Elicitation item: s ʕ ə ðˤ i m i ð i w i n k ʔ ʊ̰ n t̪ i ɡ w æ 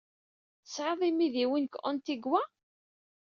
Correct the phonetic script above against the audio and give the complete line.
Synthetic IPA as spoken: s ʕ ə ðˤ i m i ð i w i n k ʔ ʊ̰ n t̪ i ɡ w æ